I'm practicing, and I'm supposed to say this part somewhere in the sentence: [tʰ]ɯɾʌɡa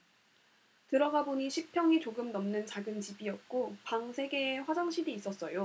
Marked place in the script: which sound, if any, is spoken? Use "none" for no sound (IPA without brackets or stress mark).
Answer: t